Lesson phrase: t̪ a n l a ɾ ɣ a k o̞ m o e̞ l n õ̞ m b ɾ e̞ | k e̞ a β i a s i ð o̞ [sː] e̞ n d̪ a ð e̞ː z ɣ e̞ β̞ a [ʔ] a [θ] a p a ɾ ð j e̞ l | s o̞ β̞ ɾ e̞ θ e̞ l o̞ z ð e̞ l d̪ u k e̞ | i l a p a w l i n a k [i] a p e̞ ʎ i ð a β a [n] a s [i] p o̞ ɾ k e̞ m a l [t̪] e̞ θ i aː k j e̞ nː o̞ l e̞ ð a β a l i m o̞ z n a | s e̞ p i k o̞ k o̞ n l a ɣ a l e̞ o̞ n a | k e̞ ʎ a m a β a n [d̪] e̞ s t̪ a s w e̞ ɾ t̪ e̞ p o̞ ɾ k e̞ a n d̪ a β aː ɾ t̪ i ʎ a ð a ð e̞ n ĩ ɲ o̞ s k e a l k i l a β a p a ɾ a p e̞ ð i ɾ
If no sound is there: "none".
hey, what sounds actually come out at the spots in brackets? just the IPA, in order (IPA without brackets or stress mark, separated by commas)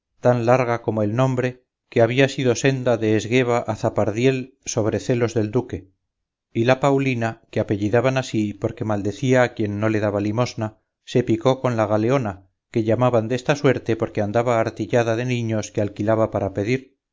s, ʔ, θ, e, n, i, d̪, d̪